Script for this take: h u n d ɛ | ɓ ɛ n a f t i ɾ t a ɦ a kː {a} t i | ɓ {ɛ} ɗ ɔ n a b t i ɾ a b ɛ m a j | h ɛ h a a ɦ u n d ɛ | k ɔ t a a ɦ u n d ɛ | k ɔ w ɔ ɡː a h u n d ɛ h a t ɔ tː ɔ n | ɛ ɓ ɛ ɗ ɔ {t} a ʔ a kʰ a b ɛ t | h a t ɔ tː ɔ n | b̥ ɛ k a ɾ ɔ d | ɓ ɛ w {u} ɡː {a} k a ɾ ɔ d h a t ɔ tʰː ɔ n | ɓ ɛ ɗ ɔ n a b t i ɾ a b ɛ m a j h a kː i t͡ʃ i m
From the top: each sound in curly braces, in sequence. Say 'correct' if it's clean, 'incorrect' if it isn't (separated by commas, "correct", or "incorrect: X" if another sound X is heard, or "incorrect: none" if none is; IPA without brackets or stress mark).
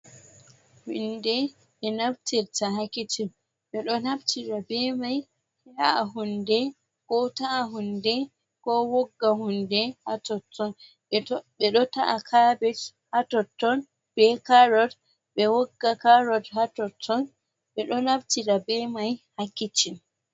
incorrect: i, correct, correct, incorrect: ɔ, correct